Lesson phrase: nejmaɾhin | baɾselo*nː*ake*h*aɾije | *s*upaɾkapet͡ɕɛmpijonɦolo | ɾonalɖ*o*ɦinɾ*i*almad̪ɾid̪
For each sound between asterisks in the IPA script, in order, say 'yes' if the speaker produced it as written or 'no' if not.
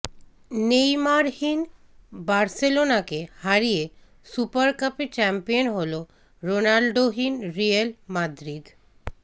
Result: no, yes, yes, yes, yes

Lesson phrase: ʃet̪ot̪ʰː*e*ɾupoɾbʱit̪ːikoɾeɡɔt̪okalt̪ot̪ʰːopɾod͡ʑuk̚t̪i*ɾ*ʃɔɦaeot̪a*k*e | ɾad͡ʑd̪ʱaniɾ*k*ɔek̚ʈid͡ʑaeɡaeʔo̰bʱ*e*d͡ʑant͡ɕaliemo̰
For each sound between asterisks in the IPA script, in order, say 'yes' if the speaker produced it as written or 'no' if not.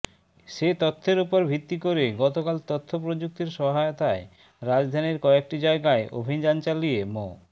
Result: yes, yes, no, yes, no

